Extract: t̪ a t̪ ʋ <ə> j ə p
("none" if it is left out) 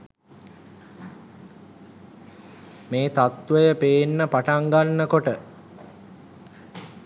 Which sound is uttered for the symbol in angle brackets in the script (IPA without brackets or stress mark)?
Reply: ə